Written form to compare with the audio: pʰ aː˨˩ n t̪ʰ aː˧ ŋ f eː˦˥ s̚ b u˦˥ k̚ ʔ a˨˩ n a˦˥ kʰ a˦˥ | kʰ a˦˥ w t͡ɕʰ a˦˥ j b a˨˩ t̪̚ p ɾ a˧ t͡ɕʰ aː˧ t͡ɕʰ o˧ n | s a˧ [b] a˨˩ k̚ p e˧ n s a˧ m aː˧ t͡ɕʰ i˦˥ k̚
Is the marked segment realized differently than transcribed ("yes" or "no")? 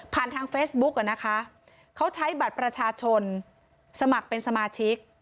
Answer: yes